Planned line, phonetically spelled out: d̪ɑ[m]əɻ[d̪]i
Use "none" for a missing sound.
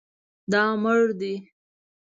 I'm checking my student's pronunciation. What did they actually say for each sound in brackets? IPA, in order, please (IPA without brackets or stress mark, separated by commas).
m, d̪